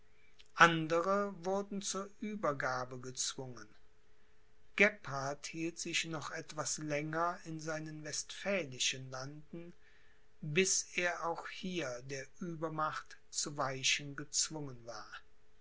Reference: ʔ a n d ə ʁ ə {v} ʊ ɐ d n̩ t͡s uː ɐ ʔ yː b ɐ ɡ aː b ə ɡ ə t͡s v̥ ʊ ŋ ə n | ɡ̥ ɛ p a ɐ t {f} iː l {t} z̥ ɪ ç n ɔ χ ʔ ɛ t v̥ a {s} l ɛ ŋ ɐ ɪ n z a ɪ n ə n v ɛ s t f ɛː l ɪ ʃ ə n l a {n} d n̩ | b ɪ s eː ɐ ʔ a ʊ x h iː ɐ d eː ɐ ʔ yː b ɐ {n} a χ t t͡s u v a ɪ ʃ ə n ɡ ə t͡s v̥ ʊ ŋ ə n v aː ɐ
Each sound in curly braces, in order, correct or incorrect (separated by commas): correct, incorrect, correct, correct, correct, incorrect